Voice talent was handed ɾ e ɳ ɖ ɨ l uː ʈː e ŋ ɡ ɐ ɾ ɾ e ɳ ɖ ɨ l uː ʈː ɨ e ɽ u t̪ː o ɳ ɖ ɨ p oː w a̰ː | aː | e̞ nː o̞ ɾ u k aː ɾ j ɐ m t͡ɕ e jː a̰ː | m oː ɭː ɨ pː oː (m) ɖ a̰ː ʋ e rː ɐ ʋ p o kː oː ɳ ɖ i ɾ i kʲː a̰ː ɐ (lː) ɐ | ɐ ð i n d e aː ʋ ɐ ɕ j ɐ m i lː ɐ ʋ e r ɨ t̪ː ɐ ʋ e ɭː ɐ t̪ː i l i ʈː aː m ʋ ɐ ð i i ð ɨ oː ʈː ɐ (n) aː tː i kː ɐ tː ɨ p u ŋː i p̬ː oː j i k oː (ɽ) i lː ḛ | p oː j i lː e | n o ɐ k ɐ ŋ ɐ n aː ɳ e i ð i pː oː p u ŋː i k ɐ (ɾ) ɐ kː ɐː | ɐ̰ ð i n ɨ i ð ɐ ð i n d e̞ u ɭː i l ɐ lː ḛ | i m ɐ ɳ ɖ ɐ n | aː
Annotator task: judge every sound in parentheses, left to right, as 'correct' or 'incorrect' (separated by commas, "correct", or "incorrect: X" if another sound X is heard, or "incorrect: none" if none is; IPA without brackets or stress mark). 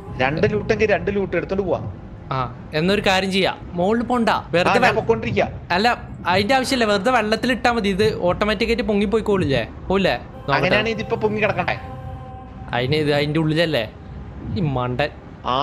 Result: incorrect: ɳ, correct, incorrect: m, incorrect: ɭ, incorrect: ɽ